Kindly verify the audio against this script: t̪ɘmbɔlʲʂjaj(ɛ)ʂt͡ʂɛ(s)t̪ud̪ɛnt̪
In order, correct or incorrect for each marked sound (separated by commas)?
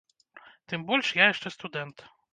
correct, correct